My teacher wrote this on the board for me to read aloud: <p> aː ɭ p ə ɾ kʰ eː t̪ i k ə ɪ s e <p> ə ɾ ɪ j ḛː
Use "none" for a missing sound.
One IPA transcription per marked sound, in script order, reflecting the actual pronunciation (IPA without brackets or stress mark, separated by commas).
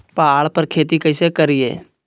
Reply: p, k